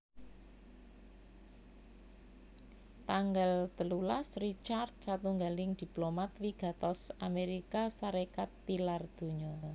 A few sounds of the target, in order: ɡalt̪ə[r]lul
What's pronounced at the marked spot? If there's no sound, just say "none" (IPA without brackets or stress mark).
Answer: none